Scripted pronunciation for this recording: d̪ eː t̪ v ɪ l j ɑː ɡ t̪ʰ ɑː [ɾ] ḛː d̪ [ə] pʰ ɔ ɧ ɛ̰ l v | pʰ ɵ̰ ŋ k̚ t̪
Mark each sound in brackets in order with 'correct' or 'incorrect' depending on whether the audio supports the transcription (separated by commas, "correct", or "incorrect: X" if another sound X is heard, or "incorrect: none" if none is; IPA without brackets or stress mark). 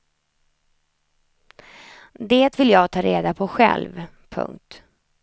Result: correct, incorrect: a